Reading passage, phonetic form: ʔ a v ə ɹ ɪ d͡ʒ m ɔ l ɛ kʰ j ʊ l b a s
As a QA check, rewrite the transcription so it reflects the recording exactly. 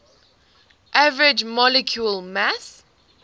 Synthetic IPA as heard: ʔ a v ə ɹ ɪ d͡ʒ m ɔ l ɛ kʰ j u l m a s